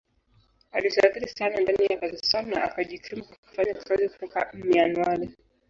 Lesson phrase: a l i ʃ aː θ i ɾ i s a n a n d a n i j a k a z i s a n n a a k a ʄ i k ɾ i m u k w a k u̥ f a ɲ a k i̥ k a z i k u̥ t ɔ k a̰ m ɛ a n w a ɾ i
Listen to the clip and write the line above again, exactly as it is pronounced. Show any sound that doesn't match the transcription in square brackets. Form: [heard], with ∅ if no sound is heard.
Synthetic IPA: a l i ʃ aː θ i ɾ i s a n a n d a n i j a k a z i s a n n a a k a ʄ i k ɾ i m u k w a k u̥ f a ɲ a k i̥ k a z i k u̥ t ɔ k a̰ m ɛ a n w a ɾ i